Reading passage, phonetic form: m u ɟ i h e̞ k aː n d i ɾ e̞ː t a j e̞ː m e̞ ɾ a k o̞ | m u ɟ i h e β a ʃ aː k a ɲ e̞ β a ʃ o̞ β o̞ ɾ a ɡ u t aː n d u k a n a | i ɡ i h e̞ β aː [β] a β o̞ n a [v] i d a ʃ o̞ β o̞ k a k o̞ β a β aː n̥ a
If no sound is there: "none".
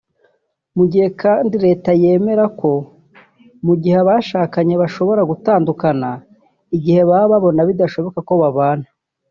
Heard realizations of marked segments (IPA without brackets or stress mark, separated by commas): β, β